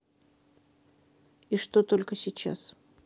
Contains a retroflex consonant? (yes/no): yes